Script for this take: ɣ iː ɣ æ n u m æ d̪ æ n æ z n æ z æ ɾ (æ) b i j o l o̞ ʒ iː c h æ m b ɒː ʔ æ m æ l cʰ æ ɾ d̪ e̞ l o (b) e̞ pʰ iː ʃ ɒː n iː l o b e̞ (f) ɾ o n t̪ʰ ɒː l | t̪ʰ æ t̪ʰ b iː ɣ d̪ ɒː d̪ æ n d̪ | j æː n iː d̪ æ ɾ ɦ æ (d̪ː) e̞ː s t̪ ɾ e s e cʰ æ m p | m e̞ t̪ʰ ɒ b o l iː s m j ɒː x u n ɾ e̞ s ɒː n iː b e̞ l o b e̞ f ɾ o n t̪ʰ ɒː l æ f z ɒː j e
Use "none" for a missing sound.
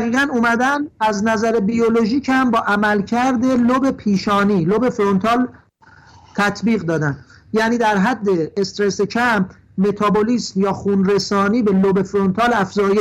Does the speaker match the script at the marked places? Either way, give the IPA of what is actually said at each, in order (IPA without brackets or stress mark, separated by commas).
e, b, f, d̪ː